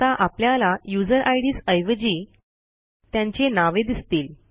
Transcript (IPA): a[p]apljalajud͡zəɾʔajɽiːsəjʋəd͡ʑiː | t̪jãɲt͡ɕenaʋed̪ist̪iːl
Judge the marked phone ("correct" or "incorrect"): incorrect